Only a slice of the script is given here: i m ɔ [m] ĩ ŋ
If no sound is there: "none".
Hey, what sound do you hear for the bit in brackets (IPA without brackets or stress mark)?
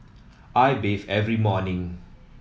n